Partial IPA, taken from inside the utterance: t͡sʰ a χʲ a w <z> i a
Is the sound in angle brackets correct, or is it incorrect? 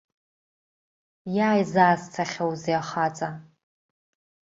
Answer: correct